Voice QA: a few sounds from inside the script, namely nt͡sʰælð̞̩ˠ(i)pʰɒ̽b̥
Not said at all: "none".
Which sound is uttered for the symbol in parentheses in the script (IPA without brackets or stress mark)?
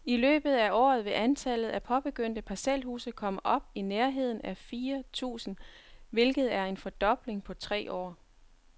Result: æ